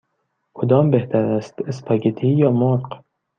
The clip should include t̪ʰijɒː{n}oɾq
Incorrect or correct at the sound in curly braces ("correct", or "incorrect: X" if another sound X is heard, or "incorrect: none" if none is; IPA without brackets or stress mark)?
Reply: incorrect: m